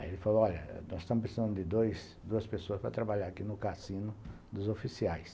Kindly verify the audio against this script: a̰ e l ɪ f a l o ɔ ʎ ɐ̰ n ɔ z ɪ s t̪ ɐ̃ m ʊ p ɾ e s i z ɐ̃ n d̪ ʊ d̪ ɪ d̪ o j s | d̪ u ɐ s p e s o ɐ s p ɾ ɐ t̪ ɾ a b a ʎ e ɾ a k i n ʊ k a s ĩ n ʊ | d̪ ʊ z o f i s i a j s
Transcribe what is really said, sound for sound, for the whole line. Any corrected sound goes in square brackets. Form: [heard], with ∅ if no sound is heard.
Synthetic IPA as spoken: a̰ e l ɪ f a l o ɔ ʎ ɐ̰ n ɔ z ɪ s t̪ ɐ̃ m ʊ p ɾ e s i z ɐ̃ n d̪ ʊ d̪ ɪ d̪ o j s | d̪ u ɐ s p e s o ɐ s p ɾ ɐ t̪ ɾ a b a ʎ [a] ɾ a k i n ʊ k a s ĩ n ʊ | d̪ ʊ z o f i s i a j s